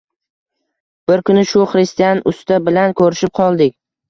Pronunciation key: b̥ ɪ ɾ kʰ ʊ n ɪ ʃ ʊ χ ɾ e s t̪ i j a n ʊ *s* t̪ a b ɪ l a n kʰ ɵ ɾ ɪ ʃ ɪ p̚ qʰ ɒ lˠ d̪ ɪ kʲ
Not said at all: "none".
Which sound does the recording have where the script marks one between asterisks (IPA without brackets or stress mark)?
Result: s